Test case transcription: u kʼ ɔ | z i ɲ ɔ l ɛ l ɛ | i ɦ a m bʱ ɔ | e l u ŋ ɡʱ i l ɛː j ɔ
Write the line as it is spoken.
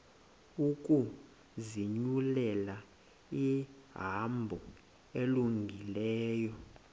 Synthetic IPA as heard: u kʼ u | z i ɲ u l ɛ l a | i ɦ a m bʱ ɔ | e l u ŋ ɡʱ i l ɛː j ɔ